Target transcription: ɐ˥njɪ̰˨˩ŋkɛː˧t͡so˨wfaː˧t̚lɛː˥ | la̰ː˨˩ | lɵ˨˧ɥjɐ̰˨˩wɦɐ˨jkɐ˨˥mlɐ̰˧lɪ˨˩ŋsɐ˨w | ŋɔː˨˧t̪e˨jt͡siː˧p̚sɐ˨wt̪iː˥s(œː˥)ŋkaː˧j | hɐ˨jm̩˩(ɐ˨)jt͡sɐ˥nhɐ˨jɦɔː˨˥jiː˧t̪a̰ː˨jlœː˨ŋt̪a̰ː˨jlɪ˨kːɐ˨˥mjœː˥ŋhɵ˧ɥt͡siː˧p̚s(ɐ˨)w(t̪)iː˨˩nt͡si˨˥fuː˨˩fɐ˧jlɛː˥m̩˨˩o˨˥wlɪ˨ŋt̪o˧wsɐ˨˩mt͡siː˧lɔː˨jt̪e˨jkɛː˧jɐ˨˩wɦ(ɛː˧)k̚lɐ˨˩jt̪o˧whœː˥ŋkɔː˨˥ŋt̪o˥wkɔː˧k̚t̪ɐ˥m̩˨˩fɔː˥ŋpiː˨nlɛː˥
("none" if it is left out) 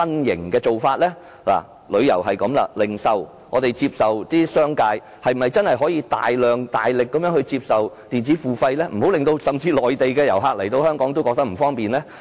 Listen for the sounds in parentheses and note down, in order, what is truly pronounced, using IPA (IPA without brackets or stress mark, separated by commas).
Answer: œː˥, ɐ˨, ɐ˨, t̪, aː˧